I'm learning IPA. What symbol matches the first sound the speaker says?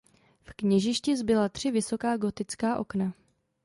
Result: f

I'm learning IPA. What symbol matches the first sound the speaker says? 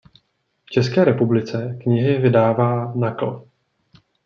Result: f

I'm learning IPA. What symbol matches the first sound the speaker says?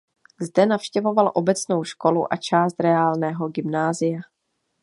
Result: z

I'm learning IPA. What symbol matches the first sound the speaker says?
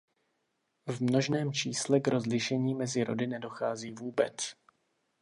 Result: v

